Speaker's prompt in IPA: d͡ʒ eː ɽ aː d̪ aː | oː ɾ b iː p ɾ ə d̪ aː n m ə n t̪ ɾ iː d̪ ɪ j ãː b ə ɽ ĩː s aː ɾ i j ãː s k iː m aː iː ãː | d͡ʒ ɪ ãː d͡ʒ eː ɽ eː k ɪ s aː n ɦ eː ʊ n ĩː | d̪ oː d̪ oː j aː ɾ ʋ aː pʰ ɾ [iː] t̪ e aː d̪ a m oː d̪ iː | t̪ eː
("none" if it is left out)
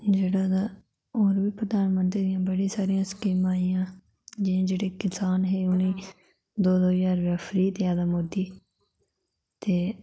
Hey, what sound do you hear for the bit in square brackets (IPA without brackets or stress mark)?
iː